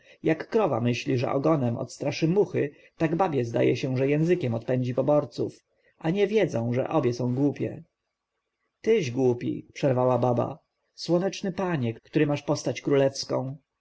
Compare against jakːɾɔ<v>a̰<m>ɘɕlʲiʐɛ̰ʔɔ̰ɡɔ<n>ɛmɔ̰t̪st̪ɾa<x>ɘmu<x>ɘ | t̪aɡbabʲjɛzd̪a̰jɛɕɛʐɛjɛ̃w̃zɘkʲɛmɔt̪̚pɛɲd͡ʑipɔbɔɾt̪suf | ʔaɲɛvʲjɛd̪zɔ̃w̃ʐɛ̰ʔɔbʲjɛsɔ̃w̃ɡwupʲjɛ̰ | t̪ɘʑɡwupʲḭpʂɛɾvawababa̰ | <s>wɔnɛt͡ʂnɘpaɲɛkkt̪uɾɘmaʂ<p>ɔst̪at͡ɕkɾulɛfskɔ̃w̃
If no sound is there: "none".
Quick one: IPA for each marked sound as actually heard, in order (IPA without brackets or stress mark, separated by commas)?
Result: v, m, n, ʂ, x, s, p